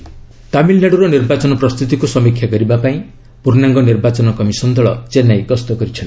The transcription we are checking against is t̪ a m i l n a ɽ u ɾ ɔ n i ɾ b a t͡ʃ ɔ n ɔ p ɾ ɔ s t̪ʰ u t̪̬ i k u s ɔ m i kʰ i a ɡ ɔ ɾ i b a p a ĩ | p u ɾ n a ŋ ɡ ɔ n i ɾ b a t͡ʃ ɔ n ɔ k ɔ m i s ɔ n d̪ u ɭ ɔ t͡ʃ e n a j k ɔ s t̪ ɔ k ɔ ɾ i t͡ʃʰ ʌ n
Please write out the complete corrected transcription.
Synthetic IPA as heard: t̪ a m i l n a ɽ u ɾ ɔ n i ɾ b a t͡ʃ ɔ n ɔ p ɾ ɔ s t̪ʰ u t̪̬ i k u s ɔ m i kʰ j a ɡ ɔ ɾ i b a p a ĩ | p u ɾ n a ŋ ɡ ɔ n i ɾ b a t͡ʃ ɔ n ɔ k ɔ m i s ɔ n d̪ ɔ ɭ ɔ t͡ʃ e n a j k ɔ s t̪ ɔ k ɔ ɾ i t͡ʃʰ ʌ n